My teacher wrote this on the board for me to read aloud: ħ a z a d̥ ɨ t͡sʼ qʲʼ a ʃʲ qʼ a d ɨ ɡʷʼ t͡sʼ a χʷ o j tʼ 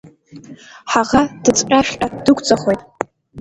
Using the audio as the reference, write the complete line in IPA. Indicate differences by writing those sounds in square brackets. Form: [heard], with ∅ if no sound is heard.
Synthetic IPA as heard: ħ a [ʁ] a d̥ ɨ t͡sʼ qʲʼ a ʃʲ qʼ a d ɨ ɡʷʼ t͡sʼ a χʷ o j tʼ

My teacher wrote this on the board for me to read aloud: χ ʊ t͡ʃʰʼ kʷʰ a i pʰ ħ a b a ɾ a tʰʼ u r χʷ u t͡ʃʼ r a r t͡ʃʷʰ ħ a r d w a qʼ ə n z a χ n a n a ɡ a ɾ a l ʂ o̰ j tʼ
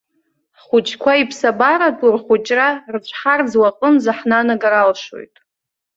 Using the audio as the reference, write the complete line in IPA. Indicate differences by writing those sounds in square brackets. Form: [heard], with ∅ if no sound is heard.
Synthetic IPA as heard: χ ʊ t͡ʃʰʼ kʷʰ a i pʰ [s] a b a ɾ a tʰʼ u r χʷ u t͡ʃʼ r a r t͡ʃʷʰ ħ a r [d͡z] w a qʼ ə n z a [ħ] n a n a ɡ a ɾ a l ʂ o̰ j tʼ

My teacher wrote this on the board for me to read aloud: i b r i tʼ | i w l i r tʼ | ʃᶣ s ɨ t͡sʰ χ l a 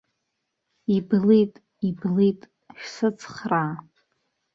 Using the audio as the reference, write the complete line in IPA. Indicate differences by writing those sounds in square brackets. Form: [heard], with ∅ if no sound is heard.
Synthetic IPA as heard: i b [l] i tʼ | i [b] l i [∅] tʼ | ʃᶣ s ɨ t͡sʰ χ [r] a

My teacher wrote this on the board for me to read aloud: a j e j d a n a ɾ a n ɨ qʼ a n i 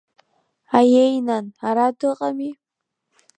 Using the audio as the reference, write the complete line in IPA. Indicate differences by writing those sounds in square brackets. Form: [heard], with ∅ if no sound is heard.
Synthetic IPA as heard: a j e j [n] a n a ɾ a [d] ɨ qʼ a [m] i

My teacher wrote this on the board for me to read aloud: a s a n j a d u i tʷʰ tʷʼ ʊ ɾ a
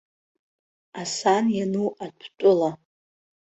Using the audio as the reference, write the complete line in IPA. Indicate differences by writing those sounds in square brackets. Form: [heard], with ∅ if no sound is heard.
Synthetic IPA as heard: a s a n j a [n] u [a] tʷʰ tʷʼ ʊ [l] a

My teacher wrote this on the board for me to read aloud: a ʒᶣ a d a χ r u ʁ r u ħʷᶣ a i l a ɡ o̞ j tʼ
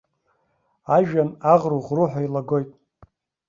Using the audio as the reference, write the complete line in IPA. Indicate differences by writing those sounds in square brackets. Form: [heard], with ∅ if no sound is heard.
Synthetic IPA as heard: a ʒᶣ a [n] a [ʁ] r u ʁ r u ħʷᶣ a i l a ɡ o̞ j tʼ

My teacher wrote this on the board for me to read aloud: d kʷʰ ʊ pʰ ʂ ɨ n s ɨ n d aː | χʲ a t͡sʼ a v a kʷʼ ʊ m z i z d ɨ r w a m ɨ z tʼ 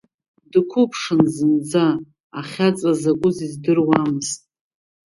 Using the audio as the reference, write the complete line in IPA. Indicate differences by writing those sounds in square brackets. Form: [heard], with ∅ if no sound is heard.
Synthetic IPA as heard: d kʷʰ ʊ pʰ ʂ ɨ n [z] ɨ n [d͡z] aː | χʲ a t͡sʼ a [z] a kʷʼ ʊ [∅] z i z d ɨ r w a m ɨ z tʼ

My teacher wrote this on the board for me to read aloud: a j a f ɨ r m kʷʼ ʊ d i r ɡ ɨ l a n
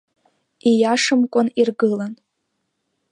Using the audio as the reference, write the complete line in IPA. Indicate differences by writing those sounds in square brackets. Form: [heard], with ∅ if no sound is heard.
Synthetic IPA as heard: [i] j a [ʂ] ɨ [∅] m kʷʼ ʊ [n] i r ɡ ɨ l a n

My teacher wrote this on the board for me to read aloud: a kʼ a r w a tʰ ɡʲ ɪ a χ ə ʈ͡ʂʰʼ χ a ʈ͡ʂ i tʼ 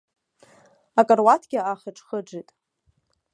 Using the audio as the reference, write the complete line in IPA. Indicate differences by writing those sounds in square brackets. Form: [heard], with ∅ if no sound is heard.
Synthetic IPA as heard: a kʼ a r w a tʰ ɡʲ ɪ a χ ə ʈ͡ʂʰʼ χ [ə] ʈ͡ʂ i tʼ

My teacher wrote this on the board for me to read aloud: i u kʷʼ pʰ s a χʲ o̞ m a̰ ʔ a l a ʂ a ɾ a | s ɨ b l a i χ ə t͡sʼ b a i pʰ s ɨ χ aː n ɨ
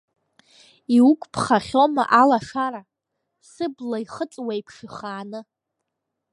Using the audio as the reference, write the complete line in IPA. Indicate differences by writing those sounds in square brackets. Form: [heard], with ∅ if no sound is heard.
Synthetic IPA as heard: i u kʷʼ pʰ [χ] a χʲ o̞ m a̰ ʔ a l a ʂ a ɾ a | s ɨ b l a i χ ə t͡sʼ [w] a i pʰ [ʂ] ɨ χ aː n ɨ

